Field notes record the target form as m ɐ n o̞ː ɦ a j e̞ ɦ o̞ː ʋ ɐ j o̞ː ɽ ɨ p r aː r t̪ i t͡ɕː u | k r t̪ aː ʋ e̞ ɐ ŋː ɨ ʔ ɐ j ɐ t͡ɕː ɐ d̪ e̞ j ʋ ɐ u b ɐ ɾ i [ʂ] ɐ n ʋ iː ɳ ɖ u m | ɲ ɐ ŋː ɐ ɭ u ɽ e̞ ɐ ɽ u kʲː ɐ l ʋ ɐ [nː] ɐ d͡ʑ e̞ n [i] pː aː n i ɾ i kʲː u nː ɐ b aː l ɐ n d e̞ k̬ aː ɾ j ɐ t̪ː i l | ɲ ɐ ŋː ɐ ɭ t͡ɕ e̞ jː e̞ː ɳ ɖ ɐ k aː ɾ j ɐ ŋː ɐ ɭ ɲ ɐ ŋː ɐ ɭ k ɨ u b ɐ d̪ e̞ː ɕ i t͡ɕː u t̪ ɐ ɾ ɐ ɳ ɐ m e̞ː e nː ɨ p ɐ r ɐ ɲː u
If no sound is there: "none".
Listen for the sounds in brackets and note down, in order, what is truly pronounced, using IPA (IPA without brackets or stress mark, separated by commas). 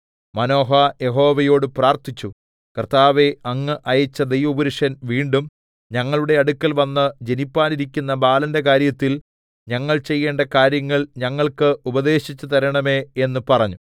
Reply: ʂ, nː, i